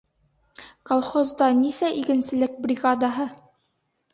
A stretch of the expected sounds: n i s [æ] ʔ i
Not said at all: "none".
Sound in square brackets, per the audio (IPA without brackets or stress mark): æ